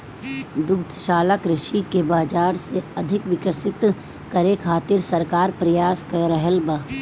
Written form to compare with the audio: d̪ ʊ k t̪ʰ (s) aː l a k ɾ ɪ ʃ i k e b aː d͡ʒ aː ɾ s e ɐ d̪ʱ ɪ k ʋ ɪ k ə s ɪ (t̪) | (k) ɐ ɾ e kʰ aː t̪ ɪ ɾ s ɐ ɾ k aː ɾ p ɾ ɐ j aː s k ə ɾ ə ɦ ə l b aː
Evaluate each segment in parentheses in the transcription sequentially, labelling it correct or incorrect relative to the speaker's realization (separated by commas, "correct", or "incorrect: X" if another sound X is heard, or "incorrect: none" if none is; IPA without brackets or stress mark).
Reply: incorrect: ʃ, correct, correct